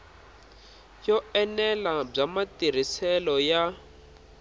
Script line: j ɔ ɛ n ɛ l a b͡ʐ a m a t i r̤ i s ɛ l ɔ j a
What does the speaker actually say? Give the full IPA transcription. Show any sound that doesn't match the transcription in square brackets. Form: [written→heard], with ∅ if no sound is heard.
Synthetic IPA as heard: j ɔ ɛ n ɛ l a b͡ʐ a m a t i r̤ i s ɛ l ɔ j a